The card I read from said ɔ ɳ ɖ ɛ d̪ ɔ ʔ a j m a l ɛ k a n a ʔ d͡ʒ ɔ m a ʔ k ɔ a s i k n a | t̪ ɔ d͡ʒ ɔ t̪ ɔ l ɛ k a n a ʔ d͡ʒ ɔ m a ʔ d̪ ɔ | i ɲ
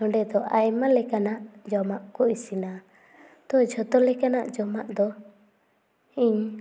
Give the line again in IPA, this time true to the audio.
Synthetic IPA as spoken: ɔ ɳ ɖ ɛ d̪ ɔ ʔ a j m a l ɛ k a n a ʔ d͡ʒ ɔ m a ʔ k ɔ i s i n a | t̪ ɔ d͡ʒ ɔ t̪ ɔ l ɛ k a n a ʔ d͡ʒ ɔ m a ʔ d̪ ɔ | i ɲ